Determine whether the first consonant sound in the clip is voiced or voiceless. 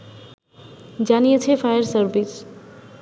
voiced